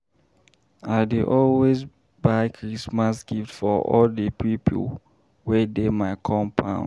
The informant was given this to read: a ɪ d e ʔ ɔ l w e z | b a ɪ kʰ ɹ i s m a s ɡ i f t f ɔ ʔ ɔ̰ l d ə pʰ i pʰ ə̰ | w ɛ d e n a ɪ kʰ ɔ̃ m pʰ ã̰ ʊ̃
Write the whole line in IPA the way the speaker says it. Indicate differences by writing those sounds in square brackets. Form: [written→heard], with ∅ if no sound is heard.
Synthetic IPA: a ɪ d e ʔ ɔ l w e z | b a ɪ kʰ ɹ i s m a s ɡ i f t f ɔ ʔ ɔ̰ l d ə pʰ i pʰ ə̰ | w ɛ d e [n→m] a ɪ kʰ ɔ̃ m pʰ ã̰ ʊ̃